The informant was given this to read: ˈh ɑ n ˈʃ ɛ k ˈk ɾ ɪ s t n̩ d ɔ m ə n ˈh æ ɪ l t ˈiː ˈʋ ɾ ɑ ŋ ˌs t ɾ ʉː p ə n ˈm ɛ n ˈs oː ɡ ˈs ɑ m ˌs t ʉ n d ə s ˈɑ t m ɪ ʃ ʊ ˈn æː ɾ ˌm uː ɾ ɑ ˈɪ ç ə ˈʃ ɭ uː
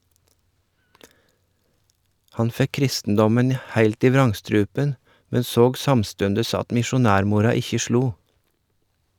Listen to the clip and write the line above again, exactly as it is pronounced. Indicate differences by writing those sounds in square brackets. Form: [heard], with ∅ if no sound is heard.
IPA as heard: ˈh ɑ n [ˈf] ɛ k ˈk ɾ ɪ s t n̩ d ɔ m ə n ˈh æ ɪ l t ˈiː ˈʋ ɾ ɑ ŋ ˌs t ɾ ʉː p ə n ˈm ɛ n ˈs oː ɡ ˈs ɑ m ˌs t ʉ n d ə s ˈɑ t m ɪ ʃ ʊ ˈn æː ɾ ˌm uː ɾ ɑ ˈɪ ç ə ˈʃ ɭ uː